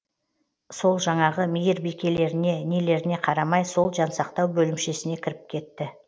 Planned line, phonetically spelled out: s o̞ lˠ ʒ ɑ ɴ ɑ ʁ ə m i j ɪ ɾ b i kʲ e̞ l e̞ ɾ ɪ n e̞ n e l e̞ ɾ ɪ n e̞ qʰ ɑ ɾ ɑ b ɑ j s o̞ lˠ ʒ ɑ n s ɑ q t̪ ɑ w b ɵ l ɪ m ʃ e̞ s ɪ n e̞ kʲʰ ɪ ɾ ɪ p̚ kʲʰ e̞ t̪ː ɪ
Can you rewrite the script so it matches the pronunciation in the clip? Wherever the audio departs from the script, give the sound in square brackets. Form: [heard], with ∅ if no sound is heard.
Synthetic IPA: s o̞ lˠ ʒ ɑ ɴ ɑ ʁ ə m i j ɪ ɾ b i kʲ e̞ l e̞ ɾ ɪ n e̞ n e l e̞ ɾ ɪ n e̞ qʰ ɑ ɾ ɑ [m] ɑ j s o̞ lˠ ʒ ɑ n s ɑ q t̪ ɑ w b ɵ l ɪ m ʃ e̞ s ɪ n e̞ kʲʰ ɪ ɾ ɪ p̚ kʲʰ e̞ t̪ː ɪ